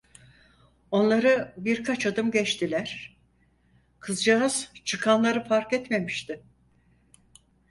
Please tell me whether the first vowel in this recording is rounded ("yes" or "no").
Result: yes